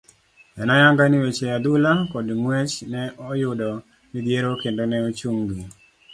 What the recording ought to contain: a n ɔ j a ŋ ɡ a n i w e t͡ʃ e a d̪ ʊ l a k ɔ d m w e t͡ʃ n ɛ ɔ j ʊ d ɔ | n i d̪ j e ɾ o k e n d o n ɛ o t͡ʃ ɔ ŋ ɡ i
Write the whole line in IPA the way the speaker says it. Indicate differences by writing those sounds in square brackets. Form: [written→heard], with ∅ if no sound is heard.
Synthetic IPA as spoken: [a→ɛ] n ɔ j a ŋ ɡ a n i w e t͡ʃ e a d̪ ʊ l a k ɔ d m w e t͡ʃ n ɛ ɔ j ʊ d ɔ | n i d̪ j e ɾ o k e n d o n ɛ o t͡ʃ [ɔ→u] ŋ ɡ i

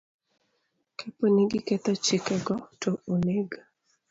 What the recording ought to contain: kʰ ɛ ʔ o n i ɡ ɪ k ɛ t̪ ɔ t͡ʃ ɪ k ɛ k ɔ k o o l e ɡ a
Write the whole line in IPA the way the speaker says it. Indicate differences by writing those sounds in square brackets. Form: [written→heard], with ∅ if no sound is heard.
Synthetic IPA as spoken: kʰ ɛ [ʔ→p] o n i ɡ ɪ k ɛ t̪ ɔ t͡ʃ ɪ k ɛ [k→ɡ] ɔ [k→t] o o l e ɡ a

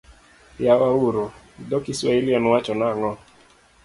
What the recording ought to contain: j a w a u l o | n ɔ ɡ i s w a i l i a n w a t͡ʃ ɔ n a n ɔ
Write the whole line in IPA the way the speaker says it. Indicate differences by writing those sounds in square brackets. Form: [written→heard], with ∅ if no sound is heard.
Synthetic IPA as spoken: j a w a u [l→ɾ] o | [n→d] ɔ [ɡ→k] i s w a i l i a n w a t͡ʃ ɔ n a [n→ŋ] ɔ

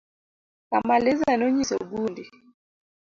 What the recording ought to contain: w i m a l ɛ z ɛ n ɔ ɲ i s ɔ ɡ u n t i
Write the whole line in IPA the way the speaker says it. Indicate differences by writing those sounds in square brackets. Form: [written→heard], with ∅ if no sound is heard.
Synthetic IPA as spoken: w [i→a] m a l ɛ z [ɛ→a] n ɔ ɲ i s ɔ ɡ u n [t→d] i

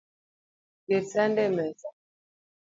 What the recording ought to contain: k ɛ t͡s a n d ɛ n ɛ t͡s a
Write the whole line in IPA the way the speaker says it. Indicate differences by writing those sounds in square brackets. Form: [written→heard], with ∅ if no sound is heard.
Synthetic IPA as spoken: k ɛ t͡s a n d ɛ [n→m] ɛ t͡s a

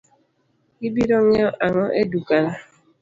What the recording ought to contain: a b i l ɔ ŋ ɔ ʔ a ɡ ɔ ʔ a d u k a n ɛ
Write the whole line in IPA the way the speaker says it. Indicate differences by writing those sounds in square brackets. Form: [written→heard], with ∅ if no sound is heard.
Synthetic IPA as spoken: [a→i] b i [l→ɾ] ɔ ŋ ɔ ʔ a [ɡ→ŋ] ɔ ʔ [a→e] d u k a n [ɛ→a]

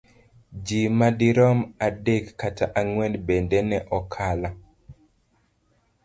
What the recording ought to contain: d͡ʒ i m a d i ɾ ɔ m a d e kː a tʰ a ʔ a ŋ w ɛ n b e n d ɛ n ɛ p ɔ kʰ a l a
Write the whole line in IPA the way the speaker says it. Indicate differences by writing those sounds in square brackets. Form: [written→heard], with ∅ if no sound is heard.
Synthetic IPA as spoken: d͡ʒ i m a d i ɾ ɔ m a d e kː a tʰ a ʔ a ŋ w ɛ n b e n d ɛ n ɛ [p→ʔ] ɔ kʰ a l a

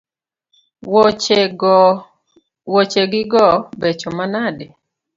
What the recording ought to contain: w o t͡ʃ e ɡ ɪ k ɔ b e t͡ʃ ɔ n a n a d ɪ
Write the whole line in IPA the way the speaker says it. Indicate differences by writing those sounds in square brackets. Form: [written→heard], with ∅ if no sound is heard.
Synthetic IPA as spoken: w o t͡ʃ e ɡ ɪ [k→ɡ] ɔ b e t͡ʃ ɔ [n→m] a n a d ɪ

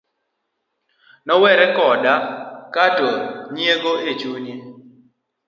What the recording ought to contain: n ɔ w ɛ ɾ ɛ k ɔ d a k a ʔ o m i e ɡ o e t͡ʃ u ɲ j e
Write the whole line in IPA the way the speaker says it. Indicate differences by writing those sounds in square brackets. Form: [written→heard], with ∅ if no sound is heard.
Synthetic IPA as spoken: n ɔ w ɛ ɾ ɛ k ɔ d a k a [ʔ→t] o [m→ɲ] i e ɡ o e t͡ʃ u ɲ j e

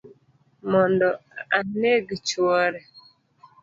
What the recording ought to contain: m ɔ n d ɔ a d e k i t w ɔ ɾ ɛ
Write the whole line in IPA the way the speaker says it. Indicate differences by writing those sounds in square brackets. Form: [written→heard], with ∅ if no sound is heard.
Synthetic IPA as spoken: m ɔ n d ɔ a [d→n] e [k→ɡ] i [t→t͡ʃ] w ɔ ɾ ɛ

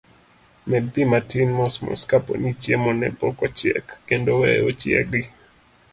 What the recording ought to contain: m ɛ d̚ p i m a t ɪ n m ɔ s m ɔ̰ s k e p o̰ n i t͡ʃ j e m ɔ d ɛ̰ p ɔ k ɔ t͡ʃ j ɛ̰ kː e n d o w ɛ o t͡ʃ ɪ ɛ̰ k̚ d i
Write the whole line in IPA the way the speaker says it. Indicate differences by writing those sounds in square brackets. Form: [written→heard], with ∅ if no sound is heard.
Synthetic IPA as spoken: m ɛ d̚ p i m a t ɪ n m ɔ s m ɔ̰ s k [e→a] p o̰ n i t͡ʃ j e m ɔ [d→n] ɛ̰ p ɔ k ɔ t͡ʃ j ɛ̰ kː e n d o w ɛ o t͡ʃ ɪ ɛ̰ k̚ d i

